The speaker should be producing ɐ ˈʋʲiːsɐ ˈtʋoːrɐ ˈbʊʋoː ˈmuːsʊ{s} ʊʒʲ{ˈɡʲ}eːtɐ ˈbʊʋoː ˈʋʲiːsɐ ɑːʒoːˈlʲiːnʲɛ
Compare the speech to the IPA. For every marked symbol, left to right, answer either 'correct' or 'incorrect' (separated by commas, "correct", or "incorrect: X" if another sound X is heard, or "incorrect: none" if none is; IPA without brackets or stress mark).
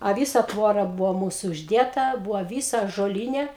incorrect: none, incorrect: dʲ